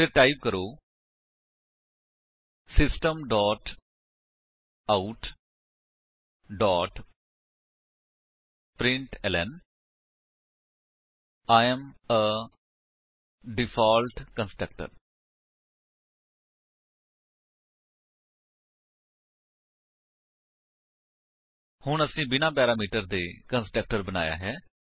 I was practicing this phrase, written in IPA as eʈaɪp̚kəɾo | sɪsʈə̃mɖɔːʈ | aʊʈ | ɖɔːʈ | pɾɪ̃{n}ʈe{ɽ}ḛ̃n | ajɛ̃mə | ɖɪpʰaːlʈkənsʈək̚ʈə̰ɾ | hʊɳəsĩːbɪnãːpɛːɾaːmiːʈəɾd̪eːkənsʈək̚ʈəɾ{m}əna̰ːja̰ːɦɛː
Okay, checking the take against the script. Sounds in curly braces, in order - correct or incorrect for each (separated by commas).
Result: incorrect, incorrect, incorrect